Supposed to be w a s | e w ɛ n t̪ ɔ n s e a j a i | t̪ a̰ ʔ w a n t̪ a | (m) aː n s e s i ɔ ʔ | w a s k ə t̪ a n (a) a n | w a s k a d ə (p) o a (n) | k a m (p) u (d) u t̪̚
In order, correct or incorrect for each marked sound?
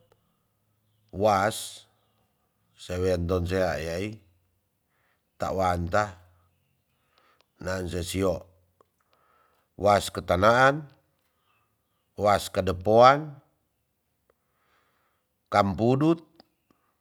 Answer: incorrect: n, correct, correct, correct, correct, correct

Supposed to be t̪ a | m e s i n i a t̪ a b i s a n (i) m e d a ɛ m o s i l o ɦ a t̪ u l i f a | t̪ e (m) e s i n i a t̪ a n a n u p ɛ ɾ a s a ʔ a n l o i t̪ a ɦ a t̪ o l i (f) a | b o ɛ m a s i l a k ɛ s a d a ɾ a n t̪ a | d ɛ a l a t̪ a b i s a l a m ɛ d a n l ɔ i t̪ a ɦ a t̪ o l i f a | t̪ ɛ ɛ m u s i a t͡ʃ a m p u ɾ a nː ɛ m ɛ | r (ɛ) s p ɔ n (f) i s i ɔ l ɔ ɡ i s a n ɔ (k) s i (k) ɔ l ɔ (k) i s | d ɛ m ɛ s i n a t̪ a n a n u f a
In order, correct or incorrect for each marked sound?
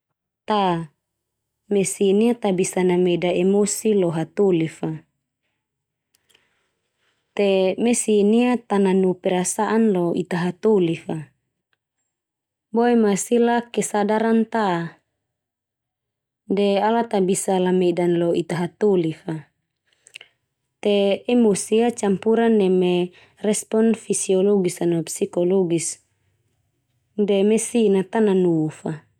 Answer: incorrect: a, correct, correct, correct, correct, incorrect: p, correct, incorrect: ɡ

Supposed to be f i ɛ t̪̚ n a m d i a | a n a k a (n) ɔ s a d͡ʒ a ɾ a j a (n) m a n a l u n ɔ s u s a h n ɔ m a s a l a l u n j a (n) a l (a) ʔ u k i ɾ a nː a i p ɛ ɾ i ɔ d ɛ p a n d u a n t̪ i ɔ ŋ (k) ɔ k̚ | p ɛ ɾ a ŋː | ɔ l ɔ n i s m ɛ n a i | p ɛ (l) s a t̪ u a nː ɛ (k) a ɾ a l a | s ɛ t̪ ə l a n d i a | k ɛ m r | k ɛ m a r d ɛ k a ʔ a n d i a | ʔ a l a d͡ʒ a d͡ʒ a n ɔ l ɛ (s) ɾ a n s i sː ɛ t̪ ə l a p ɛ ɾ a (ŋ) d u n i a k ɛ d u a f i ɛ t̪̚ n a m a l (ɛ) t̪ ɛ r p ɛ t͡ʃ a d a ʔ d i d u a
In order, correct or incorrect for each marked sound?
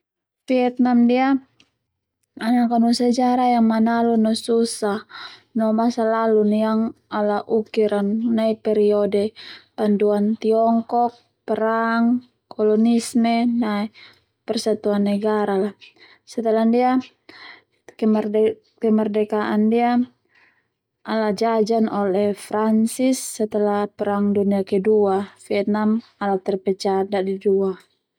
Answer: correct, incorrect: ŋ, incorrect: ŋ, correct, correct, incorrect: r, incorrect: ɡ, incorrect: f, correct, incorrect: a

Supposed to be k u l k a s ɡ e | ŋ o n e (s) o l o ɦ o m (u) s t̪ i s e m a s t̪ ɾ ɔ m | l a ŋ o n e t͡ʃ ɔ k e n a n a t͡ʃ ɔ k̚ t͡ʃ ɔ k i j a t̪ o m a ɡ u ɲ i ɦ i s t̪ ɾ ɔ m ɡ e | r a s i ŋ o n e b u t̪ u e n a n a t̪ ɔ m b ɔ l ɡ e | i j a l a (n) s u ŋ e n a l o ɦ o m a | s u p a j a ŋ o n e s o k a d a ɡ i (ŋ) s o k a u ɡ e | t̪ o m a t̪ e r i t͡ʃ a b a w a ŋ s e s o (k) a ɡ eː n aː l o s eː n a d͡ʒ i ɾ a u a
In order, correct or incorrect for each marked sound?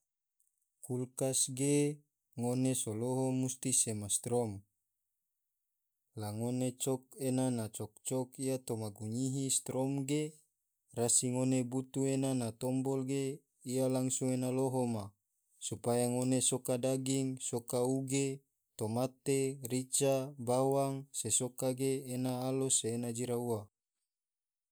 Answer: correct, correct, incorrect: ŋ, correct, correct

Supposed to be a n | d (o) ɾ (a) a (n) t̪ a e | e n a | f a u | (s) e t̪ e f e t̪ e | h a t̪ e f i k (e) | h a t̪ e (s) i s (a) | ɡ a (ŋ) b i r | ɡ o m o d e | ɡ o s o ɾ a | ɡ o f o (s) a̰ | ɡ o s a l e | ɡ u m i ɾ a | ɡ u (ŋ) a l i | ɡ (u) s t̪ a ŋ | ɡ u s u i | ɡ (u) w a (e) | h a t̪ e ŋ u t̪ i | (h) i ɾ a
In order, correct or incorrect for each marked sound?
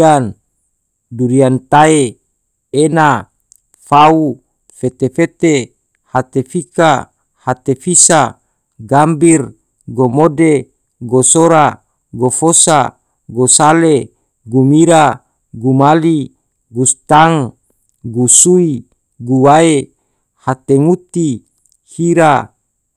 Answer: incorrect: u, incorrect: i, correct, incorrect: f, incorrect: a, incorrect: f, correct, incorrect: m, correct, incorrect: m, correct, correct, correct, correct

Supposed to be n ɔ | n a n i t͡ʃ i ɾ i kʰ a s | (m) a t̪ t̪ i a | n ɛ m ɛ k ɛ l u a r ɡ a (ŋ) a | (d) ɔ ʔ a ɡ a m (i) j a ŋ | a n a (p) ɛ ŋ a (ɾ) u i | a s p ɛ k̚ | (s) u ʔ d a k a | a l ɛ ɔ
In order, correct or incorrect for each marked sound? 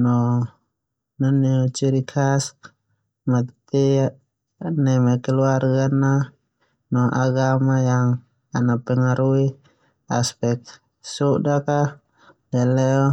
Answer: correct, incorrect: n, incorrect: n, incorrect: a, correct, correct, correct

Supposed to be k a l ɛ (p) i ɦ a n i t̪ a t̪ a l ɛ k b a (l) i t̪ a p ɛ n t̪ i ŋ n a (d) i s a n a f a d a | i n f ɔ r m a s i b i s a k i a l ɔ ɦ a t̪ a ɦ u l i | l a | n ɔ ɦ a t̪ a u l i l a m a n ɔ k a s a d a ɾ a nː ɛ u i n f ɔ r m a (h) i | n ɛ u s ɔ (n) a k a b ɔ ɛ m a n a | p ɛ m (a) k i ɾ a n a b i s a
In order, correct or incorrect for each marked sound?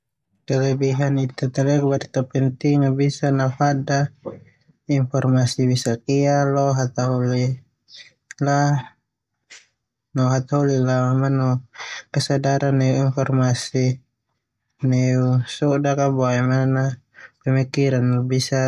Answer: incorrect: b, incorrect: ɾ, incorrect: b, incorrect: s, incorrect: d, incorrect: i

